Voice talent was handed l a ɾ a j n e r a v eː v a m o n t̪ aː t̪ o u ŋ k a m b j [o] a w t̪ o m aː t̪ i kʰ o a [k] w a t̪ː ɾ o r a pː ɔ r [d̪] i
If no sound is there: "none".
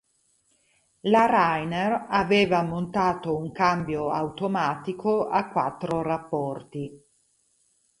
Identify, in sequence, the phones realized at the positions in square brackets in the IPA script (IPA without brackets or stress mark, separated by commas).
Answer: o, k, t̪